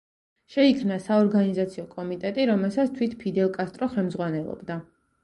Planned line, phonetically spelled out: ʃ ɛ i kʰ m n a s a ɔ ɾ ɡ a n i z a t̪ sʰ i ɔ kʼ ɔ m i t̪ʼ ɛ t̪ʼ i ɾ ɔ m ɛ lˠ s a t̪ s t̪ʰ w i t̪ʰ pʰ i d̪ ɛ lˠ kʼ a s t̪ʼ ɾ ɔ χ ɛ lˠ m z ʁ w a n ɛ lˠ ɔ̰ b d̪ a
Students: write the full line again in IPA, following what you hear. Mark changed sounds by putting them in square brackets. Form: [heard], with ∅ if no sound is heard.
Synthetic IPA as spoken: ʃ ɛ i kʰ m n a s a ɔ ɾ ɡ a n i z a t̪ sʰ i ɔ kʼ ɔ m i t̪ʼ ɛ t̪ʼ i ɾ ɔ m ɛ lˠ s a t̪ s t̪ʰ w i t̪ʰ pʰ i d̪ ɛ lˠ kʼ a s t̪ʼ ɾ ɔ χ ɛ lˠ m z ʁ w a n ɛ lˠ ɔ̰ b d̪ a